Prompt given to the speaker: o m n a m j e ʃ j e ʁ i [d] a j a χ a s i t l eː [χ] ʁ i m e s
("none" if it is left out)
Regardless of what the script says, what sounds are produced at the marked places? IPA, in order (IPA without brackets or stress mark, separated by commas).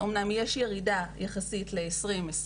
d, s